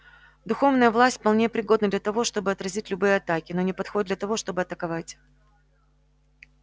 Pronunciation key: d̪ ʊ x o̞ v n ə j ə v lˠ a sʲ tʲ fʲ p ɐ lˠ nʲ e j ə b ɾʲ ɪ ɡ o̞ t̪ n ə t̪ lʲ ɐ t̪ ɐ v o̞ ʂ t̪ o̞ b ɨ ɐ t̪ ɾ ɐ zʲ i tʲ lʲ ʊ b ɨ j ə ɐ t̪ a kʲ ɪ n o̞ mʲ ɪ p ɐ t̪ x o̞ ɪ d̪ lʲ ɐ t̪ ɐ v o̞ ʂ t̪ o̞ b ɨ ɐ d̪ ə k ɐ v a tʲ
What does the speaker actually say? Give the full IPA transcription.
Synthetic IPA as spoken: d̪ ʊ x o̞ v n ə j ə v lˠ a sʲ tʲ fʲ p ɐ lˠ nʲ e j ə p ɾʲ ɪ ɡ o̞ d̪ n ə d̪ lʲ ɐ t̪ ɐ v o̞ ʂ t̪ o̞ b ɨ ɐ t̪ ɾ ɐ zʲ i tʲ lʲ ʊ b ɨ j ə ɐ t̪ a kʲ ɪ n o̞ nʲ ɪ p ɐ t̪ x o̞ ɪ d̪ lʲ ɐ t̪ ɐ v o̞ ʂ t̪ o̞ b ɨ ɐ t̪ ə k ɐ v a tʲ